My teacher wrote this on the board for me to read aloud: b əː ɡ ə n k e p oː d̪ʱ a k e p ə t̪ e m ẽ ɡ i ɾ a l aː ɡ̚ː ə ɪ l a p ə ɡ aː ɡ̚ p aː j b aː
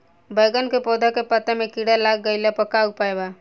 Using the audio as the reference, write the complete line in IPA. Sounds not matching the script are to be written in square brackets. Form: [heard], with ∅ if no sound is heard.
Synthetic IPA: b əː ɡ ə n k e p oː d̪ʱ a k e p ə t̪ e m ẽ [k] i [ɽ] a l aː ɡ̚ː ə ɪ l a p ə [k] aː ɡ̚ p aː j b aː